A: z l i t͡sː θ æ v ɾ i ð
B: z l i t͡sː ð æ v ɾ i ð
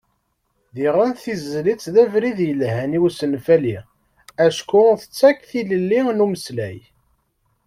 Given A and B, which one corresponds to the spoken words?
B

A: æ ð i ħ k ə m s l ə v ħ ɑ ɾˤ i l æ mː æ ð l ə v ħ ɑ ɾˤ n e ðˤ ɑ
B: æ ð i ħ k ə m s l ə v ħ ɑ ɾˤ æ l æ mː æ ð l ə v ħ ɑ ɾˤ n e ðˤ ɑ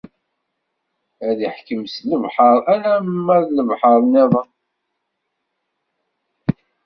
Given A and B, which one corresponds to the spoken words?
B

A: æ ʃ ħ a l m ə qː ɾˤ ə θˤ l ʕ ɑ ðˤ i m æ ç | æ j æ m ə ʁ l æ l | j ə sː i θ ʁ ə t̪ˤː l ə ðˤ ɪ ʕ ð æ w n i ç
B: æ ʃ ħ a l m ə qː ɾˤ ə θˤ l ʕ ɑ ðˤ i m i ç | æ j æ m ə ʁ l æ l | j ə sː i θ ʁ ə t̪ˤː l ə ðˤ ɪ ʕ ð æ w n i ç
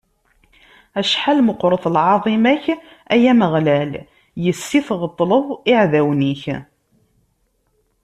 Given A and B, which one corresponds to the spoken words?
A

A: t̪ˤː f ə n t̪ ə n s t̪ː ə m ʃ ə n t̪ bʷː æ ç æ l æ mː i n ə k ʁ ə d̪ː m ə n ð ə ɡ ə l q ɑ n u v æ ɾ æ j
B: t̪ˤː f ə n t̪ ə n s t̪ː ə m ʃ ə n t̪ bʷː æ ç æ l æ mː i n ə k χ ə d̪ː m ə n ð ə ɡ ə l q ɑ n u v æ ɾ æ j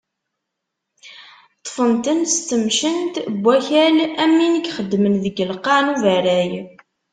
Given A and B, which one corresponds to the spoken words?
B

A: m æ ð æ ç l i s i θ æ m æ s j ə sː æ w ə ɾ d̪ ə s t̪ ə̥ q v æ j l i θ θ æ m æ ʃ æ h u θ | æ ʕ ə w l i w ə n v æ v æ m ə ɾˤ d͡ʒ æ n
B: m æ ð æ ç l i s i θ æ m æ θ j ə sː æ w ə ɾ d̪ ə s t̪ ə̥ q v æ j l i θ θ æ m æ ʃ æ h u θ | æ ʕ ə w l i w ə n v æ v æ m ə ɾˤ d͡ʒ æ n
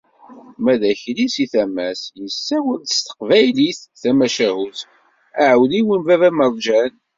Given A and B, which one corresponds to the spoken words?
A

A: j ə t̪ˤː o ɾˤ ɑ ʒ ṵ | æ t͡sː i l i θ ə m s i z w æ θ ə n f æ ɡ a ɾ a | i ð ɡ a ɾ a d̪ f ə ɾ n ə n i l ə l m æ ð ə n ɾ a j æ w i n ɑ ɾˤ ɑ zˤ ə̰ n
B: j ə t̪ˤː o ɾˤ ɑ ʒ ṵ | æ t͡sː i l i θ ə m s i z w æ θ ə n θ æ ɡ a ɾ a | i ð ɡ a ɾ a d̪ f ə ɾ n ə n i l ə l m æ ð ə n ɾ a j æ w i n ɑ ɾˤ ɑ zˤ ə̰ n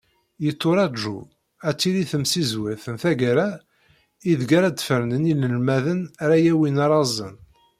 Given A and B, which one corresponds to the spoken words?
B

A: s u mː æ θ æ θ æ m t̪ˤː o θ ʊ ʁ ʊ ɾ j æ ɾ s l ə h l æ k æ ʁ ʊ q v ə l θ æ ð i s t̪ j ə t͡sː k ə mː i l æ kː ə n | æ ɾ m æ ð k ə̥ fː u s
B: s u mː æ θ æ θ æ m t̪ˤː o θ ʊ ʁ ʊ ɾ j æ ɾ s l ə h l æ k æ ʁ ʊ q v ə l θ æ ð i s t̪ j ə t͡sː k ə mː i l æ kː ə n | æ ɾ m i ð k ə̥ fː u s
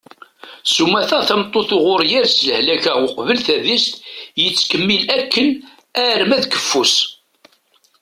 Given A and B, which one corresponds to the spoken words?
A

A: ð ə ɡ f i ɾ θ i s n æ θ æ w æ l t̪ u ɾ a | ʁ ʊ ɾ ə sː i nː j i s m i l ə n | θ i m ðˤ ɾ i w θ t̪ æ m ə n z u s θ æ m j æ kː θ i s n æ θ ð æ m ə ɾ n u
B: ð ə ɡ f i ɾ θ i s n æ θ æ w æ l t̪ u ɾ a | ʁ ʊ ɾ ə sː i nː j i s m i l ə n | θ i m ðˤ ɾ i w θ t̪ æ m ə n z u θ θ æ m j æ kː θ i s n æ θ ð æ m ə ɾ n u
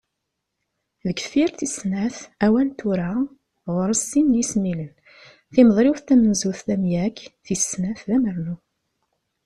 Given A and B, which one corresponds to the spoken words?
B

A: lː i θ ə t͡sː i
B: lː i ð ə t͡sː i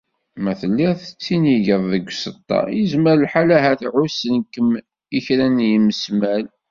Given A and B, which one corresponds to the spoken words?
A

